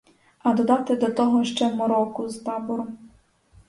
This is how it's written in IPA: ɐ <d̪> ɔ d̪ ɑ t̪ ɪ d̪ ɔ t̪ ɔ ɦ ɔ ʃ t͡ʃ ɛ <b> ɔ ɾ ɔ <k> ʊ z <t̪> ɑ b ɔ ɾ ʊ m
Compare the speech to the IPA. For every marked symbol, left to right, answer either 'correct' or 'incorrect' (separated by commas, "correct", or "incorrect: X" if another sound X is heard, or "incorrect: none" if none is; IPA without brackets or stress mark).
correct, incorrect: m, correct, correct